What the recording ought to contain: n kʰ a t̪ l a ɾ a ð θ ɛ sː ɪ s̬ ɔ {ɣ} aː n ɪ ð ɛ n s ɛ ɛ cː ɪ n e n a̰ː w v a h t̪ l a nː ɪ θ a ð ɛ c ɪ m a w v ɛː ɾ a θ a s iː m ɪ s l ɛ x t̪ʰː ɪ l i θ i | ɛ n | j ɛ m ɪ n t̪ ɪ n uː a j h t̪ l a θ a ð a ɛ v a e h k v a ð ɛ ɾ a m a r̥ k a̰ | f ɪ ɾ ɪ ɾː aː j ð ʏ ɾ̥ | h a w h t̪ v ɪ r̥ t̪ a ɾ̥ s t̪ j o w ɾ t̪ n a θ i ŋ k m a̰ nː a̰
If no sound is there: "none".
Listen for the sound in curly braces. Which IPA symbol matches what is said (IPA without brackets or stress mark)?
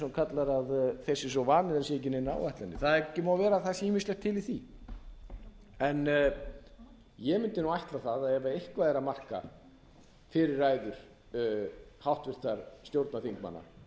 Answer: v